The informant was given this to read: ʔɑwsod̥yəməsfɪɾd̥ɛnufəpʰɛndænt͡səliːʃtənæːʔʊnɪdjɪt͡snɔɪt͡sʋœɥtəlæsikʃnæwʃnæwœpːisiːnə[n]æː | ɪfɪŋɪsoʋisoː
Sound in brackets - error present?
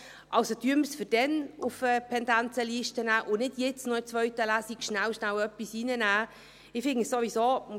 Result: no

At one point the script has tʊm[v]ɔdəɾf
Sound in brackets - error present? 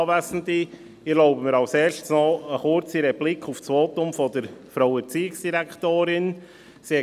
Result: yes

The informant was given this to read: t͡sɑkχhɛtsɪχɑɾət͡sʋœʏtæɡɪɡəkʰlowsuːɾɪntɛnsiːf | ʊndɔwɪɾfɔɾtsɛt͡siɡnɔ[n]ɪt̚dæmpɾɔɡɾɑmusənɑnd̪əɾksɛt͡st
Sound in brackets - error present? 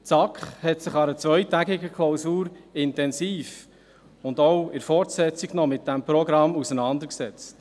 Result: yes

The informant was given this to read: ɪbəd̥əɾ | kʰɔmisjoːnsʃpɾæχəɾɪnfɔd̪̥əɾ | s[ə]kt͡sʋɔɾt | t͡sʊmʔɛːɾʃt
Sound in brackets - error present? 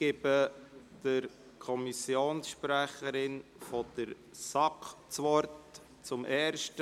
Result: yes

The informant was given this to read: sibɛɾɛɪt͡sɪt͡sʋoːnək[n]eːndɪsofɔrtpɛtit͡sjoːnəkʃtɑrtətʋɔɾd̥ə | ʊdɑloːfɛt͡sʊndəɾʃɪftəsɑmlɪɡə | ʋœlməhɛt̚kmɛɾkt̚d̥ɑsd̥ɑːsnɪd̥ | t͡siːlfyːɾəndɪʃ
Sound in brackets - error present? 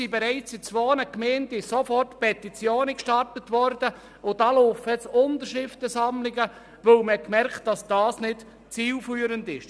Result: yes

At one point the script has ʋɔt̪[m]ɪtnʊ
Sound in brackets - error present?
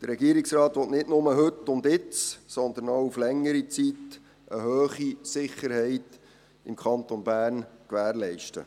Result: yes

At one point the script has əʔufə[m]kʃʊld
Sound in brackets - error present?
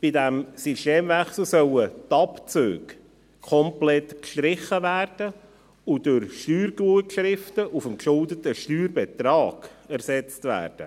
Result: no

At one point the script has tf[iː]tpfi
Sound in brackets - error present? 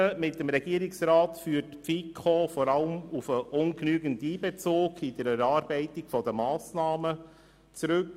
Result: yes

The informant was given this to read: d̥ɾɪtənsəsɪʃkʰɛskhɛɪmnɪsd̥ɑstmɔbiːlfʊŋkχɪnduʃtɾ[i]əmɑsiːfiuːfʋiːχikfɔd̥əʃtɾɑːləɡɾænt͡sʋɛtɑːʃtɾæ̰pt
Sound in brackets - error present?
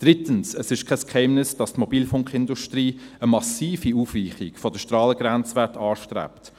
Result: yes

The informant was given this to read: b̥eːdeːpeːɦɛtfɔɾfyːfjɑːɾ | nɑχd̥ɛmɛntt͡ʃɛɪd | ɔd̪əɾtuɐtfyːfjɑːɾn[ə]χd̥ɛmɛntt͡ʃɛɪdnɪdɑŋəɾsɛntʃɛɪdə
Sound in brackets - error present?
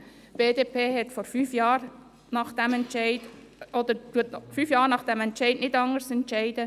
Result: yes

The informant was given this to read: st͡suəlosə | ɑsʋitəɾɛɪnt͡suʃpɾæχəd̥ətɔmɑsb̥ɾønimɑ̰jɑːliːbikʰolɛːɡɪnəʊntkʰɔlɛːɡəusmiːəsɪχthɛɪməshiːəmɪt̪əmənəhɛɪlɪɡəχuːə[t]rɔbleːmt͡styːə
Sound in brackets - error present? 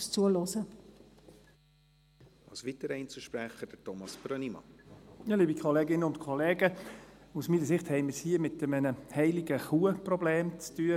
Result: yes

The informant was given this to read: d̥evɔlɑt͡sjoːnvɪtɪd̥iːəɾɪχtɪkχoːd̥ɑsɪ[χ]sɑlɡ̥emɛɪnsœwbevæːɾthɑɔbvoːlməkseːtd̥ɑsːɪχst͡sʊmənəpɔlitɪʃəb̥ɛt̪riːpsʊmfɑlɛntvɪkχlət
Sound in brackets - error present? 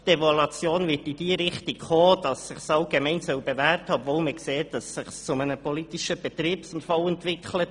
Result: no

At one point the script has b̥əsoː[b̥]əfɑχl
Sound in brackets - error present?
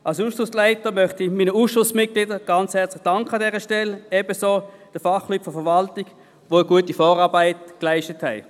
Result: yes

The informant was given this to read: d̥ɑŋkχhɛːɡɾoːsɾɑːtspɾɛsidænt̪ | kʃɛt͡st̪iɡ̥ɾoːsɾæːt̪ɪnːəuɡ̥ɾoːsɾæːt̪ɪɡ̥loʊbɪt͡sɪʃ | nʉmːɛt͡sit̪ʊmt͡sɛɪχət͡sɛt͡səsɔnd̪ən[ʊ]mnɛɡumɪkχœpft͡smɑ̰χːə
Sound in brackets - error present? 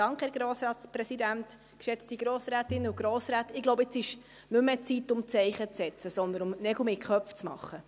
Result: no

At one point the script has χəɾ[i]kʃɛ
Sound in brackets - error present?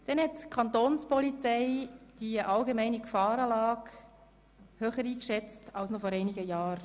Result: yes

